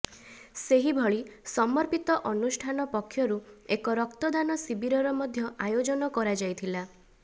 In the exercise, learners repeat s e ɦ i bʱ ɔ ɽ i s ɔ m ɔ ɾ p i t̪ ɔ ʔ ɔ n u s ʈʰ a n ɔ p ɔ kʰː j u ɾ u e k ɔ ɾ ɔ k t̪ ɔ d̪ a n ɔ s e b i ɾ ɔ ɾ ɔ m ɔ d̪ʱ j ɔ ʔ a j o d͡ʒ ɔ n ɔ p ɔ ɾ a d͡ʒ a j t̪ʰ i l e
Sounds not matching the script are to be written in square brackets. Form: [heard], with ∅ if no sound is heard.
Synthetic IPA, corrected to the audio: s e ɦ i bʱ ɔ [ɭ] i s ɔ m ɔ ɾ p i t̪ ɔ ʔ ɔ n u s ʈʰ a n ɔ p ɔ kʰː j [ɔ] ɾ u e k ɔ ɾ ɔ k t̪ ɔ d̪ a n ɔ s [i] b i ɾ ɔ ɾ ɔ m ɔ d̪ʱ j ɔ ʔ a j o d͡ʒ ɔ n ɔ [k] ɔ ɾ a d͡ʒ a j t̪ʰ i l [a]

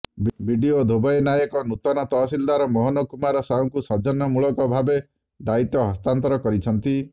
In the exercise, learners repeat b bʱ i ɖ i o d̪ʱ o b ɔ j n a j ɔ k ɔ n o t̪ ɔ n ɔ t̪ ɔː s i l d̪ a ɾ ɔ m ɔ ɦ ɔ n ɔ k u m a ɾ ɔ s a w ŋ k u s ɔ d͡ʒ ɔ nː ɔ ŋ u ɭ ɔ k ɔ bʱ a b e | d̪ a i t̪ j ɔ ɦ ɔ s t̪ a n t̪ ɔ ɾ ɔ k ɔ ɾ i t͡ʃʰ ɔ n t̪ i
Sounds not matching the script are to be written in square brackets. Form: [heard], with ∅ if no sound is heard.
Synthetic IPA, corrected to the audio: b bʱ i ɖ i o d̪ʱ o b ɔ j n a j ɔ k ɔ n [u] t̪ ɔ n ɔ t̪ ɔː s i l d̪ a ɾ ɔ m ɔ ɦ ɔ n ɔ k u m a ɾ ɔ s a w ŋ k u s ɔ d͡ʒ ɔ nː ɔ [m] u ɭ ɔ k ɔ bʱ a b e | d̪ a i t̪ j ɔ ɦ ɔ s t̪ a n t̪ ɔ ɾ ɔ k ɔ ɾ i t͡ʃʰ ɔ n t̪ i

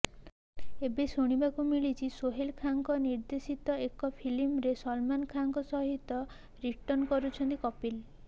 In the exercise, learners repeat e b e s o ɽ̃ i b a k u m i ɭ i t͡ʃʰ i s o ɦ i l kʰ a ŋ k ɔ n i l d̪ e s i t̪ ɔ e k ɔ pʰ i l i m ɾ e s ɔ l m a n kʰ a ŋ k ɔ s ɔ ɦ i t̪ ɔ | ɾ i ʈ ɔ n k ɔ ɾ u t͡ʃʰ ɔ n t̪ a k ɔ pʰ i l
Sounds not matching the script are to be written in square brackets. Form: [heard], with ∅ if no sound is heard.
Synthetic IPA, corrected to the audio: e b e s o ɽ̃ i b a k u m i ɭ i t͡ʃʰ i s o ɦ [e] l kʰ a ŋ k ɔ n i [ɾ] d̪ e s i t̪ ɔ e k ɔ pʰ i l i m ɾ e s ɔ l m a n kʰ a ŋ k ɔ s ɔ ɦ i t̪ ɔ | ɾ i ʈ ɔ n k ɔ ɾ u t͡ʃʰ ɔ n t̪ [i] k ɔ [p] i l

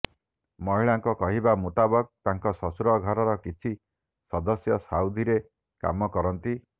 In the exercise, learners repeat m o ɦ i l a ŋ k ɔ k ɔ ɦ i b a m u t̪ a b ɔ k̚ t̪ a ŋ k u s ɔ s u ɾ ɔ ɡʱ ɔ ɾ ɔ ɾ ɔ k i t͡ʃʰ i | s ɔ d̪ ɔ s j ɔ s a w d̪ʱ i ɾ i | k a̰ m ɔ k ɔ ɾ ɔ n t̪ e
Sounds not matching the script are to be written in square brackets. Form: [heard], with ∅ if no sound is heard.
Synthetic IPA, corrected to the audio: m [ɔ] ɦ i [ɭ] a ŋ k ɔ k ɔ ɦ i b a m u t̪ a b ɔ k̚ t̪ a ŋ k [ɔ] s ɔ s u ɾ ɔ ɡʱ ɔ ɾ ɔ ɾ ɔ k i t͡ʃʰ i | s ɔ d̪ ɔ s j ɔ s a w d̪ʱ i ɾ [e] | k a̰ m ɔ k ɔ ɾ ɔ n t̪ [i]

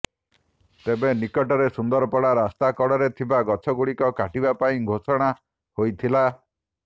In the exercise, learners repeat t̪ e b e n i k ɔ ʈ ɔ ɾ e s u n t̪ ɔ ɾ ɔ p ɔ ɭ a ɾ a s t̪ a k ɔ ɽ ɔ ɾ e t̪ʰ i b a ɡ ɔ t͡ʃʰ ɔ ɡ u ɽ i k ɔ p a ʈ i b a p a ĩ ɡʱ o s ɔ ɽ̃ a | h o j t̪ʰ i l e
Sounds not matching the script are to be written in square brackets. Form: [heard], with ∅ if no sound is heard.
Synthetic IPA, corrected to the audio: t̪ e b e n i k ɔ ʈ ɔ ɾ e s u n [d̪] ɔ ɾ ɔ p ɔ [ɽ] a ɾ a s t̪ a k ɔ ɽ ɔ ɾ e t̪ʰ i b a ɡ ɔ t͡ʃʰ ɔ ɡ u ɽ i k ɔ [k] a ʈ i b a p a ĩ ɡʱ o s ɔ ɽ̃ a | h o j t̪ʰ i l [a]

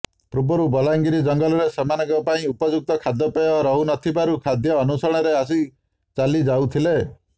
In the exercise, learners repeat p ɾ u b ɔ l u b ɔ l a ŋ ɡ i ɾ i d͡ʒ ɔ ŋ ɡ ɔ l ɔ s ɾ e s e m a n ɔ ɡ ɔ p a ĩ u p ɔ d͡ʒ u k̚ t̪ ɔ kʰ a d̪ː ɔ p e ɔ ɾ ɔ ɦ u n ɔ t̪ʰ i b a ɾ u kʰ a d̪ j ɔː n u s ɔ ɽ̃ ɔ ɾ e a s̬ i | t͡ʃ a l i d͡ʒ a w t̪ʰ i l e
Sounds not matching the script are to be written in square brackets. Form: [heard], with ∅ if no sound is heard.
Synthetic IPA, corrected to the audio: p ɾ u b ɔ [ɾ] u b ɔ l a ŋ ɡ i ɾ i d͡ʒ ɔ ŋ ɡ ɔ l ɔ [∅] ɾ e s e m a n ɔ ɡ ɔ p a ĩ u p ɔ d͡ʒ u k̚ t̪ ɔ kʰ a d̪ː ɔ p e ɔ ɾ ɔ ɦ u n ɔ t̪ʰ i b a ɾ u kʰ a d̪ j ɔː n u s ɔ ɽ̃ ɔ ɾ e a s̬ i | t͡ʃ a l i d͡ʒ a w t̪ʰ i l e

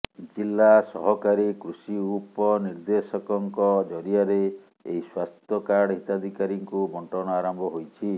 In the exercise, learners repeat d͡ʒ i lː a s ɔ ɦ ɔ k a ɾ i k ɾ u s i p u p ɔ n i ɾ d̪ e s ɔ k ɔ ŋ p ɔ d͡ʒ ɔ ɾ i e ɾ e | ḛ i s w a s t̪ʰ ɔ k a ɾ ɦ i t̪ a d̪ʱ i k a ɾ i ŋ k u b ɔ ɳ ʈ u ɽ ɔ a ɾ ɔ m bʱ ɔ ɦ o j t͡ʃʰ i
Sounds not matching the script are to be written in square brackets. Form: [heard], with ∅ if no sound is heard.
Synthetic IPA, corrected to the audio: d͡ʒ i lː a s ɔ ɦ ɔ k a ɾ i k ɾ u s i [∅] u p ɔ n i ɾ d̪ e s ɔ k ɔ ŋ [k] ɔ d͡ʒ ɔ ɾ i [a] ɾ e | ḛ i s w a s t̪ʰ ɔ k a [ɽ] ɦ i t̪ a d̪ʱ i k a ɾ i ŋ k u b ɔ ɳ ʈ [ɔ] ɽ ɔ a ɾ ɔ m bʱ ɔ ɦ o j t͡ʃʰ i

